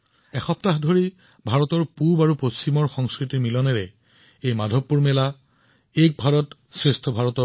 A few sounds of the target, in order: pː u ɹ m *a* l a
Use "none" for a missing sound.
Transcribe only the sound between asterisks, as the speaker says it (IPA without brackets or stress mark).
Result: ɛ